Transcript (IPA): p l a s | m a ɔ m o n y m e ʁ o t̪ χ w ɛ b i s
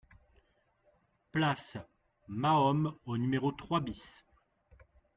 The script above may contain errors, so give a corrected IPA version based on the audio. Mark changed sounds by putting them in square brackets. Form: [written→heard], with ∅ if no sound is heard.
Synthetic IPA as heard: p l a s | m a ɔ m o n y m e ʁ o t̪ χ w [ɛ→a] b i s